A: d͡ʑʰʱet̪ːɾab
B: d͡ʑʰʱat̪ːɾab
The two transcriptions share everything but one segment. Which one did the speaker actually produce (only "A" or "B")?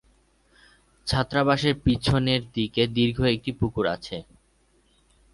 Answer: B